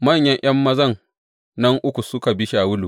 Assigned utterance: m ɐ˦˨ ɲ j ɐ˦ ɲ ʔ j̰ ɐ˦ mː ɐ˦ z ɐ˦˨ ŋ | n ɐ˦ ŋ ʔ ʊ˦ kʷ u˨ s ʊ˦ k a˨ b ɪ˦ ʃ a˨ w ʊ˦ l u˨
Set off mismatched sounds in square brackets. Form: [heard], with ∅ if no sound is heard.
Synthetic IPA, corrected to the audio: m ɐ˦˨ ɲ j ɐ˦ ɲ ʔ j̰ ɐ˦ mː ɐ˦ z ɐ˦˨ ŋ | n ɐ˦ ŋ ʔ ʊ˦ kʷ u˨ s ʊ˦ k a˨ b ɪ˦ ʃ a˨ w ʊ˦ l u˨

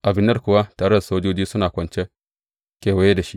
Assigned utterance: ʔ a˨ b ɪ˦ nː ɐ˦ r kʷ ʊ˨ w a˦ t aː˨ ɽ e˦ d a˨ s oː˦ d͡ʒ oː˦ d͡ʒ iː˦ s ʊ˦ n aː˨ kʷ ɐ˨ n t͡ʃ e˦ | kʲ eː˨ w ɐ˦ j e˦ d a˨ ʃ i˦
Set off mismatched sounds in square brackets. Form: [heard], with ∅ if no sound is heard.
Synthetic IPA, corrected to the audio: ʔ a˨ b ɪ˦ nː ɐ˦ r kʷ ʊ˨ w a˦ t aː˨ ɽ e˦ d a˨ s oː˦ d͡ʒ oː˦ d͡ʒ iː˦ s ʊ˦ n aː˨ kʷ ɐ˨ n t͡ʃ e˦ | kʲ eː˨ w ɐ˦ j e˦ d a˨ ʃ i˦

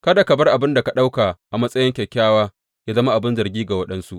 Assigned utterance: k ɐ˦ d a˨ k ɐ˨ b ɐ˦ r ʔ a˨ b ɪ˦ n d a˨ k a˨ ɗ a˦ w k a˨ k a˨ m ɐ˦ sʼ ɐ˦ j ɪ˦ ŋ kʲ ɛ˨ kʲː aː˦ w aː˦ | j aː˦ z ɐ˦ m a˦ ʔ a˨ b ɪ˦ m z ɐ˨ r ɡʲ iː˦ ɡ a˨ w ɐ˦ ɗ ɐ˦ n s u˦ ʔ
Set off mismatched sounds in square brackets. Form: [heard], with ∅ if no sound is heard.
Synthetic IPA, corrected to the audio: k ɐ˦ d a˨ k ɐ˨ b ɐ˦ r ʔ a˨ b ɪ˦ n d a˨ k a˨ ɗ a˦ w k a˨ [ʔ] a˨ m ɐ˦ sʼ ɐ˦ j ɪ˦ ŋ kʲ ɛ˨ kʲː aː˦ w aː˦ | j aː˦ z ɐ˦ m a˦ ʔ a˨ b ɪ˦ [n] z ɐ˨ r ɡʲ iː˦ ɡ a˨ w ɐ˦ ɗ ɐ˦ n s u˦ ʔ

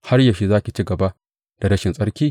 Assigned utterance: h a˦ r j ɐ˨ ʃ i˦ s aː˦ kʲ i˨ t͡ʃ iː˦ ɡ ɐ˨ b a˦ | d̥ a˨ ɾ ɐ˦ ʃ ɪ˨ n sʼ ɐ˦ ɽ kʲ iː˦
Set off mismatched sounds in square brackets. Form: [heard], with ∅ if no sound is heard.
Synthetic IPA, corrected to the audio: h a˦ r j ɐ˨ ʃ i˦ [z] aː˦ kʲ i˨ t͡ʃ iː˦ ɡ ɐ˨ b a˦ | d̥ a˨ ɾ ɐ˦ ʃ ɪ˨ n sʼ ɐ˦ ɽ kʲ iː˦

